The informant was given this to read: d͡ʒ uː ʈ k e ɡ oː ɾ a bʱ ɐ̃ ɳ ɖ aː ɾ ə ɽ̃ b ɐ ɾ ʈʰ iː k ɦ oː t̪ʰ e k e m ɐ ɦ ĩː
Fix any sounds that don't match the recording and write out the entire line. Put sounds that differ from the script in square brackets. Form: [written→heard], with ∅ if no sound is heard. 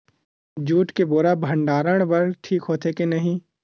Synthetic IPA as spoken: d͡ʒ uː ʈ k e [ɡ→b] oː ɾ a bʱ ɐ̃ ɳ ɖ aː ɾ ə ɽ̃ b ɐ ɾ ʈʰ iː k ɦ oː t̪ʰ e k e [m→n] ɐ ɦ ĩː